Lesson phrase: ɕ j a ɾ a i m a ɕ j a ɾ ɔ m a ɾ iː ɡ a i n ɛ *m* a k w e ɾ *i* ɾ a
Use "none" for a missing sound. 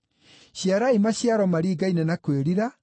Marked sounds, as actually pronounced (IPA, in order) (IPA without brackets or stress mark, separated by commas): n, i